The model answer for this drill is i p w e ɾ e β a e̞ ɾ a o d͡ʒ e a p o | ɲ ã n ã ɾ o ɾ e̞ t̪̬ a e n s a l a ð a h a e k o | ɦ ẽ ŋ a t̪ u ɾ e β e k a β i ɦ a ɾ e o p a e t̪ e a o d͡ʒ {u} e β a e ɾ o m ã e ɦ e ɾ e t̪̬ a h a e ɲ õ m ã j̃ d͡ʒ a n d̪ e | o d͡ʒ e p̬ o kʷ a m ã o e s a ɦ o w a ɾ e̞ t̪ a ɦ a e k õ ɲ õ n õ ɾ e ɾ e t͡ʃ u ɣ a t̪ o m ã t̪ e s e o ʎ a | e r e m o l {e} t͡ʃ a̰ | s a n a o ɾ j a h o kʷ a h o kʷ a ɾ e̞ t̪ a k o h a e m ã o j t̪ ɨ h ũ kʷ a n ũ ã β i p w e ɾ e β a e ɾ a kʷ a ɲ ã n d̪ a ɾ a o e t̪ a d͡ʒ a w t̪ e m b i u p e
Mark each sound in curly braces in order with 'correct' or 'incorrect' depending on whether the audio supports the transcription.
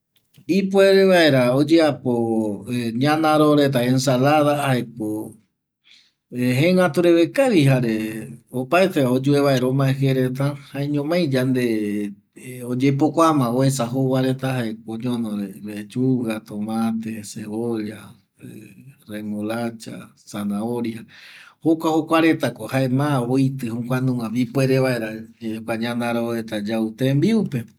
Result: correct, incorrect

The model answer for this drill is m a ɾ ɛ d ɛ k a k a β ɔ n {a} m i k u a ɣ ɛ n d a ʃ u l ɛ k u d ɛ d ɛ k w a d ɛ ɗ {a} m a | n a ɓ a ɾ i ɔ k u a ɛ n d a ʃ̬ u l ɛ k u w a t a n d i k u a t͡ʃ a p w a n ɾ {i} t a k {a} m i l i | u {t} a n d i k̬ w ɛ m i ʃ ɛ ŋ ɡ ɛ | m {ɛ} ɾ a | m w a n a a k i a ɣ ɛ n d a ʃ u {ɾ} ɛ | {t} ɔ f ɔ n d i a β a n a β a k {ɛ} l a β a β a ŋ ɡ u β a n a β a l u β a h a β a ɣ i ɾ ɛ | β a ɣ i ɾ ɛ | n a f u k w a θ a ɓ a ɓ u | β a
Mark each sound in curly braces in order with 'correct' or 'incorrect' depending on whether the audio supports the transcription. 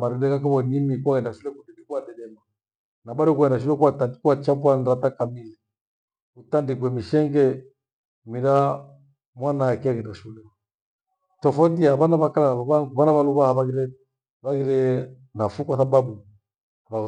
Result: incorrect, incorrect, incorrect, correct, correct, incorrect, incorrect, correct, incorrect

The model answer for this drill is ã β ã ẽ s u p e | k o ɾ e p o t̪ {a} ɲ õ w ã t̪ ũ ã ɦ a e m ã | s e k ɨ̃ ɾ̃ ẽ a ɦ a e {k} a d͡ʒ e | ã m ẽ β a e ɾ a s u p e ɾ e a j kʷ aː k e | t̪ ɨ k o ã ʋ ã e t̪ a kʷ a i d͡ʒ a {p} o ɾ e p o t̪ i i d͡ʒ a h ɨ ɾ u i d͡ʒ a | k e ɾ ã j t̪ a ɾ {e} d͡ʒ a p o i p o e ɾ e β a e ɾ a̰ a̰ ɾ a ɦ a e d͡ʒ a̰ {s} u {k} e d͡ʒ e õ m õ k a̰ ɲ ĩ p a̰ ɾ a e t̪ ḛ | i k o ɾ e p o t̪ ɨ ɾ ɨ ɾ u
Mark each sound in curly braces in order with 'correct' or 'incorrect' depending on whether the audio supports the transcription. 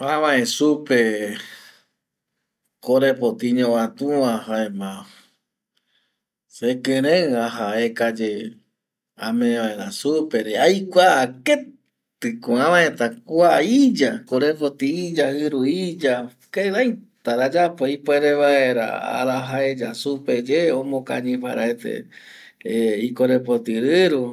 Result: incorrect, correct, incorrect, incorrect, correct, incorrect

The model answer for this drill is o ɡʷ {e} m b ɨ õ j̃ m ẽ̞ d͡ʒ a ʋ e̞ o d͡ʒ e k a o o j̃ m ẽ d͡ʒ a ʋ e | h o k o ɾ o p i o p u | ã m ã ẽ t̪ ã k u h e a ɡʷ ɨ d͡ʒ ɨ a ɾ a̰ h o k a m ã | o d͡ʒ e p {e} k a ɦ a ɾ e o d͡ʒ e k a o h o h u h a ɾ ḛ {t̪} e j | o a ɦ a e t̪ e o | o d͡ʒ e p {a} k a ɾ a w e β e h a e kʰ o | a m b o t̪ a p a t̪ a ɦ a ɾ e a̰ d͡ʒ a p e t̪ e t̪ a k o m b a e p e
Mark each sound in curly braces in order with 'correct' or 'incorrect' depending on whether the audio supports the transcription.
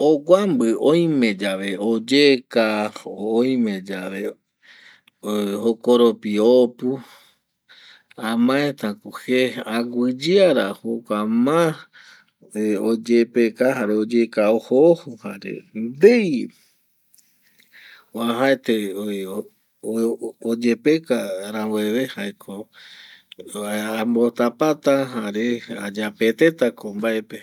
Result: incorrect, correct, incorrect, incorrect

